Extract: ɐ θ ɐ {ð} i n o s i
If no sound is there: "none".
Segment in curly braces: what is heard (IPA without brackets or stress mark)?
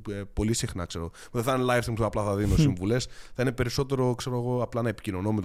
ð